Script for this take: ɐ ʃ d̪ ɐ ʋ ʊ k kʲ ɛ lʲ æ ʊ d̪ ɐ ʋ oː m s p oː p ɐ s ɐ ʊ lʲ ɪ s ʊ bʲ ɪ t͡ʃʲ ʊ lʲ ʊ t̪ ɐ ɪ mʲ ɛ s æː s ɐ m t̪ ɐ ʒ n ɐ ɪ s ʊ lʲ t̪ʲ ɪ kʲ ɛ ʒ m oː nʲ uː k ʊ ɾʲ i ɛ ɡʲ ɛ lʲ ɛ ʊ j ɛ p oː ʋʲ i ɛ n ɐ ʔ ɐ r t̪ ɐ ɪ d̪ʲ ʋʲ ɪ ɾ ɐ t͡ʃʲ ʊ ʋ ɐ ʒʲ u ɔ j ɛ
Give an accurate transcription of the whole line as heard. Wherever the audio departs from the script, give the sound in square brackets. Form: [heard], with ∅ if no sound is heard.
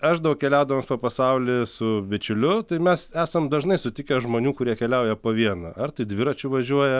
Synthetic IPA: ɐ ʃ d̪ ɐ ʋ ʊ k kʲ ɛ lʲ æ ʊ d̪ ɐ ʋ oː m s p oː p ɐ s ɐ ʊ lʲ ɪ s ʊ bʲ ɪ t͡ʃʲ ʊ lʲ ʊ t̪ ɐ ɪ mʲ ɛ s æː s ɐ m [d̪] ɐ ʒ n ɐ ɪ s ʊ [∅] t̪ʲ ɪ kʲ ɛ ʒ m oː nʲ uː k ʊ ɾʲ i ɛ [kʲ] ɛ lʲ ɛ ʊ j ɛ p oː ʋʲ i ɛ n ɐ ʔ ɐ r t̪ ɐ ɪ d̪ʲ ʋʲ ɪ ɾ ɐ t͡ʃʲ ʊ ʋ ɐ ʒʲ u ɔ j ɛ

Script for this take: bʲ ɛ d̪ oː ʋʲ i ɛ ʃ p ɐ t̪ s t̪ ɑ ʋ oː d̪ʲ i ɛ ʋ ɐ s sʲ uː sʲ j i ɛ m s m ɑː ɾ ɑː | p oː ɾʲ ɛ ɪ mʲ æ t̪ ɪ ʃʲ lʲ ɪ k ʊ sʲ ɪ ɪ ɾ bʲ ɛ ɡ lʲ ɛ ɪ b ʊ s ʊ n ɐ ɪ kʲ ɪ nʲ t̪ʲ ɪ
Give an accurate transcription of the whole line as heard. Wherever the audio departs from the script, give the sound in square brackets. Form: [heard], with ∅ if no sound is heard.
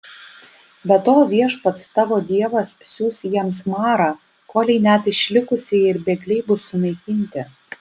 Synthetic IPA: bʲ ɛ [t̪] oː ʋʲ i ɛ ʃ p ɐ t̪ s t̪ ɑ ʋ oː d̪ʲ i ɛ ʋ ɐ s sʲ uː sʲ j i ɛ m s m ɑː ɾ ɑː | [k] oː [lʲ] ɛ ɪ [nʲ] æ t̪ ɪ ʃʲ lʲ ɪ k ʊ sʲ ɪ ɪ ɾ bʲ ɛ ɡ lʲ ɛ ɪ b ʊ s ʊ n ɐ ɪ kʲ ɪ nʲ t̪ʲ ɪ

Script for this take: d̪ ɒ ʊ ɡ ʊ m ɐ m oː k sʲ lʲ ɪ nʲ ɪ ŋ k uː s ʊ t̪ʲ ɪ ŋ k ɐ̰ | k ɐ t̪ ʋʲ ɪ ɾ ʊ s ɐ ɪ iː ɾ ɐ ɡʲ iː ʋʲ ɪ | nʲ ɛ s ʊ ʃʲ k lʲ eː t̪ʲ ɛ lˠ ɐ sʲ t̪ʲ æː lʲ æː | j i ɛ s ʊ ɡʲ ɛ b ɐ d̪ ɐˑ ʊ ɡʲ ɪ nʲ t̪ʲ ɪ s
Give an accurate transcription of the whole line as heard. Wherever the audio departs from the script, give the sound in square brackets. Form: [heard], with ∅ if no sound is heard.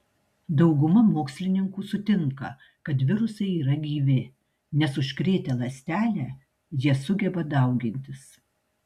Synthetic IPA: d̪ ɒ ʊ ɡ ʊ m ɐ m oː k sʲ lʲ ɪ nʲ ɪ ŋ k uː s ʊ t̪ʲ ɪ ŋ k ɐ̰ | k ɐ t̪ ʋʲ ɪ ɾ ʊ s ɐ ɪ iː ɾ ɐ ɡʲ iː ʋʲ ɪ | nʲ ɛ s ʊ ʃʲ k [ɾʲ] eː t̪ʲ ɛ lˠ ɐ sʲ t̪ʲ æː lʲ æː | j i ɛ s ʊ ɡʲ ɛ b ɐ d̪ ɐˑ ʊ ɡʲ ɪ nʲ t̪ʲ ɪ s

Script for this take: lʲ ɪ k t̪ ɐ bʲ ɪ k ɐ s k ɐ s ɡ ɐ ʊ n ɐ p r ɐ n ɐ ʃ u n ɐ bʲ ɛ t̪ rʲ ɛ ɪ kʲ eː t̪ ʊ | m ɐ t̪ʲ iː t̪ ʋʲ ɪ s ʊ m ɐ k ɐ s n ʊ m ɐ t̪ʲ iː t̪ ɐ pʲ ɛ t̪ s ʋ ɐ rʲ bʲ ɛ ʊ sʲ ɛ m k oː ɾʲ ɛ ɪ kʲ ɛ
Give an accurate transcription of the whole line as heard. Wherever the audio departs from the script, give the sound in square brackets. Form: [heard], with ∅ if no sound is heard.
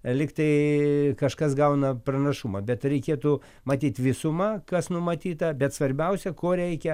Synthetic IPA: lʲ ɪ k t̪ ɐ [∅] ɪ k ɐ [ʃ] k ɐ s ɡ ɐ ʊ n ɐ p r ɐ n ɐ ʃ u [m] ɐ bʲ ɛ t̪ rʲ ɛ ɪ kʲ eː t̪ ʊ | m ɐ t̪ʲ iː t̪ ʋʲ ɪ s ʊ m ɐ k ɐ s n ʊ m ɐ t̪ʲ iː t̪ ɐ [bʲ] ɛ t̪ s ʋ ɐ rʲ bʲ ɛ ʊ sʲ ɛ [∅] k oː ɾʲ ɛ ɪ kʲ ɛ

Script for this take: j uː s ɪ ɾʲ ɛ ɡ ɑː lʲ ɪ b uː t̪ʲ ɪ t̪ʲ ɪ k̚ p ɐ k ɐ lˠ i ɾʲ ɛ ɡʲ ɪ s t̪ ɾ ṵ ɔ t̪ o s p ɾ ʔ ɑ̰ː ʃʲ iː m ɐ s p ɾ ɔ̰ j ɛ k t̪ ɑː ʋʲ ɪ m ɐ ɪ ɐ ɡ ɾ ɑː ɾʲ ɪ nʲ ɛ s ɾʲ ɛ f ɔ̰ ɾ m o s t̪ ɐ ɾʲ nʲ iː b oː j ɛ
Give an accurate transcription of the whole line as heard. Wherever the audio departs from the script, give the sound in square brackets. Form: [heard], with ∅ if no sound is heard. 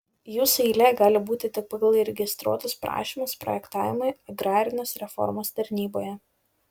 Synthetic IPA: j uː s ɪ [lʲ] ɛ ɡ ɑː lʲ ɪ b uː t̪ʲ ɪ t̪ʲ ɪ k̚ p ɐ [ɡ] ɐ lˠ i ɾʲ ɛ ɡʲ ɪ s t̪ ɾ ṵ ɔ t̪ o s p ɾ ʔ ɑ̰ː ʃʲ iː m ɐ s p ɾ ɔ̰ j ɛ k t̪ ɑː ʋʲ ɪ m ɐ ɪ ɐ ɡ ɾ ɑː ɾʲ ɪ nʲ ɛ s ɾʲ ɛ f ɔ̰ ɾ m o s t̪ ɐ ɾʲ nʲ iː b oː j ɛ

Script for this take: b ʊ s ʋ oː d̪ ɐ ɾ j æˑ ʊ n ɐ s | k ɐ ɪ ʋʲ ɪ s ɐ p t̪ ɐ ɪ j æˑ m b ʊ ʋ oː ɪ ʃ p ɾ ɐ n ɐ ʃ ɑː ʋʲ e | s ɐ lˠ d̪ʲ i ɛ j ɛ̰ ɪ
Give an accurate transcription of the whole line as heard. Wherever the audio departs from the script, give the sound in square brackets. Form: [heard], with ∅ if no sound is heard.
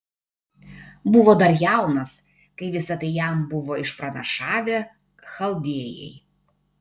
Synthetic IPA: b ʊ [∅] ʋ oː d̪ ɐ ɾ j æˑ ʊ n ɐ s | k ɐ ɪ ʋʲ ɪ s ɐ [∅] t̪ ɐ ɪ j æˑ m b ʊ ʋ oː ɪ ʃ p ɾ ɐ n ɐ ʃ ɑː ʋʲ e | [x] ɐ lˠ d̪ʲ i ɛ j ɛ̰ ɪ

